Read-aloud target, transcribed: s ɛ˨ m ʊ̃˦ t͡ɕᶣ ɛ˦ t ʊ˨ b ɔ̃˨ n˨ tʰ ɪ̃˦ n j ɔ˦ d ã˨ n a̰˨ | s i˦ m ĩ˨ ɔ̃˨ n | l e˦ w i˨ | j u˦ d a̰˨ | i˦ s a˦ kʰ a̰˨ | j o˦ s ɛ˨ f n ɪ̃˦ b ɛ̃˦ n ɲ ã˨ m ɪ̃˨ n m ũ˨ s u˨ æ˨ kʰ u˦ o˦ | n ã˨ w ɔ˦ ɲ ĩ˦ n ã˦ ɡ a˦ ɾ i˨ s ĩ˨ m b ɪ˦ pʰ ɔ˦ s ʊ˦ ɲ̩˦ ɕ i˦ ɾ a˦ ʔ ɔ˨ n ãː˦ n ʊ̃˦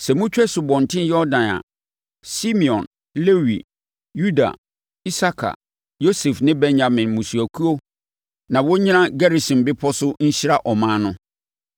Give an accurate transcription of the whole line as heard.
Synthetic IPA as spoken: s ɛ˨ m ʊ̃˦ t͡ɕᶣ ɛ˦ s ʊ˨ b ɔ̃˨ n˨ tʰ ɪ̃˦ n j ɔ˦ d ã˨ n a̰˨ | s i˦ m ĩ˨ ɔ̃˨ n | l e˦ w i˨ | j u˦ d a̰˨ | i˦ s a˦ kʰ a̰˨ | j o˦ s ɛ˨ f n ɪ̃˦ b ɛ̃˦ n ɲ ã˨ m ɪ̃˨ n m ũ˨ s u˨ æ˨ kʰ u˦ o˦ | n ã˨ w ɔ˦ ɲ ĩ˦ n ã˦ ɡ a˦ ɾ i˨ s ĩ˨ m b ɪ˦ pʰ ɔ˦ s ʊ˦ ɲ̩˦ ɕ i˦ ɾ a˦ ʔ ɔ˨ m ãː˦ n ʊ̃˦

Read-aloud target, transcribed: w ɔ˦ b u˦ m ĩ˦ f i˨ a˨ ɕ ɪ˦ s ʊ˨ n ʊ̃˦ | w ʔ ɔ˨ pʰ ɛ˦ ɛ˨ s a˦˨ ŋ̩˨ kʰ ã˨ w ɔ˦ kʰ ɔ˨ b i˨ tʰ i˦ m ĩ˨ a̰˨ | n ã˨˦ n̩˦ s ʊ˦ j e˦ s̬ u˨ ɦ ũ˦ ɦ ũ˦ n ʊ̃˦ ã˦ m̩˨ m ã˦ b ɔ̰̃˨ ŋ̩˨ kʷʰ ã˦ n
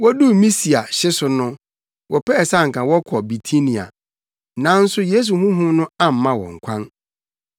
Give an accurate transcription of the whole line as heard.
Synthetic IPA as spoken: w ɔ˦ d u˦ m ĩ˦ s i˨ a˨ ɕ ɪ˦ s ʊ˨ n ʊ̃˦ | w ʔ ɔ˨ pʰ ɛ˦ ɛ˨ s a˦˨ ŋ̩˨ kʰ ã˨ w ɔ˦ kʰ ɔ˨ b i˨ tʰ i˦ n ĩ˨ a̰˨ | n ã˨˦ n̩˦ s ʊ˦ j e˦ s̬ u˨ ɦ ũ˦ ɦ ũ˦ n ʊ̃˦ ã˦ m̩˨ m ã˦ w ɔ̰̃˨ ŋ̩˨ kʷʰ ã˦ n

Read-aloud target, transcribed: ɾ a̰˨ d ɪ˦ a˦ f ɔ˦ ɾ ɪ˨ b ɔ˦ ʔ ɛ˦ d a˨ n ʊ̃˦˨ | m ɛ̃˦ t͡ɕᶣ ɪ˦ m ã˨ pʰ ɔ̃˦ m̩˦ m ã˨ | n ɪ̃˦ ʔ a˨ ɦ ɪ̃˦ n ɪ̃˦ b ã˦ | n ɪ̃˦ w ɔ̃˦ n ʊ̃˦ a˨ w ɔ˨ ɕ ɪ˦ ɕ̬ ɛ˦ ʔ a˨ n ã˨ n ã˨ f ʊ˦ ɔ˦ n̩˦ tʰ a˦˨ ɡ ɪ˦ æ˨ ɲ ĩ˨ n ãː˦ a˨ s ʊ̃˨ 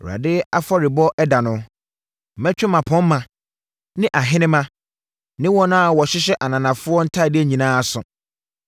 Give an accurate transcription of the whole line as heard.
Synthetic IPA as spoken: ɾ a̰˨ d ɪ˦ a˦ f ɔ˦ ɾ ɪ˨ b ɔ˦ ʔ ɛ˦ d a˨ n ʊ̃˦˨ | m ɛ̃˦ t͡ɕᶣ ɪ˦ m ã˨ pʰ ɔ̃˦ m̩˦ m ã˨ | n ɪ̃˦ ʔ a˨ ɦ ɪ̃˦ n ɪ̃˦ m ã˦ | n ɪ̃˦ w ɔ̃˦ n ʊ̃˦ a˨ w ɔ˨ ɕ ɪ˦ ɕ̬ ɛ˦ ʔ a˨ n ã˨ n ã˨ f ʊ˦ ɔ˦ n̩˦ tʰ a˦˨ d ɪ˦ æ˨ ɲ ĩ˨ n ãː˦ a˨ s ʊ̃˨

